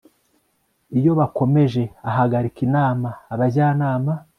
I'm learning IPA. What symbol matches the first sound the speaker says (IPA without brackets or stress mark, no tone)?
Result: i